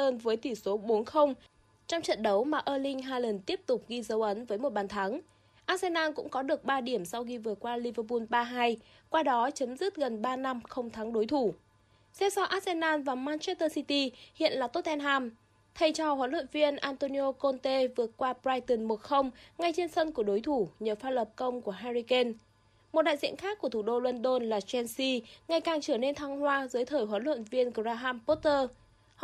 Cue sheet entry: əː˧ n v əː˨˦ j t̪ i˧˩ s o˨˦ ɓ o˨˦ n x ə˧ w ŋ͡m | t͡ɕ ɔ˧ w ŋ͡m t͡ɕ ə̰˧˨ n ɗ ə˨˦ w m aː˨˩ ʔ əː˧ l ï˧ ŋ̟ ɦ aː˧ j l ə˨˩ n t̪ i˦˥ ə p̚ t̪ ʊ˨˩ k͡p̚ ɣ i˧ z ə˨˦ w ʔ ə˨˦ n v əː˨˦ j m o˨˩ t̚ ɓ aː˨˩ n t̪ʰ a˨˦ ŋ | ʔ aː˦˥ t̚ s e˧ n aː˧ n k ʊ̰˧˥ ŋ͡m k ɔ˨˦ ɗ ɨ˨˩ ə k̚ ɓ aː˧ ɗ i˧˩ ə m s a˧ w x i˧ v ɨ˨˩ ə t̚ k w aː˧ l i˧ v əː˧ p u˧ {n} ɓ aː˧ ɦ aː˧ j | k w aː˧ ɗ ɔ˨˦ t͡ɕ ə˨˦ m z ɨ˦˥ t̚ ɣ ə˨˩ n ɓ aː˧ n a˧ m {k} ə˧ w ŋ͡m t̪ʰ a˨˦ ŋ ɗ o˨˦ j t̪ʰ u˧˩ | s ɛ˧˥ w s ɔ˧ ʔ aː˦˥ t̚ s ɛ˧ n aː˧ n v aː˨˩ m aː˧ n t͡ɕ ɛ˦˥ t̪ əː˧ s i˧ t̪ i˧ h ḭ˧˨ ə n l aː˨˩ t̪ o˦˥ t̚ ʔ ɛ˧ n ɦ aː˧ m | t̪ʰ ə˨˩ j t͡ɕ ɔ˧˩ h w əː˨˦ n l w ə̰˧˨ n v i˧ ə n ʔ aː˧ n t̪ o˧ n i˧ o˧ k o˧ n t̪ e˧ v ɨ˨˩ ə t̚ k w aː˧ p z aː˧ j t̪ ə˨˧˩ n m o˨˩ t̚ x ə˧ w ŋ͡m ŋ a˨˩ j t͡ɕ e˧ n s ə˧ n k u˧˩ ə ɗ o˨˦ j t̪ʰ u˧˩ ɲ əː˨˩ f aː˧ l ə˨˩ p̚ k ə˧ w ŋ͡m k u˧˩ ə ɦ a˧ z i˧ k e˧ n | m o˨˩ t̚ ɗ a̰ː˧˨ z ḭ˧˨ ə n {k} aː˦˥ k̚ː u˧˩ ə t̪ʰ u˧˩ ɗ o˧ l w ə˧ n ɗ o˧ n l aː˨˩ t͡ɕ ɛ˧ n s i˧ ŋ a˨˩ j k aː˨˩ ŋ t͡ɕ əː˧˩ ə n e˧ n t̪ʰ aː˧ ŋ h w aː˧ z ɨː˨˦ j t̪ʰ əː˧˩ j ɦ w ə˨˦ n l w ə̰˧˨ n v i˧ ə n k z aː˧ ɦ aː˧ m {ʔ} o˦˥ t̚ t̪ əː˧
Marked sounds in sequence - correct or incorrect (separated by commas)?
correct, incorrect, incorrect, incorrect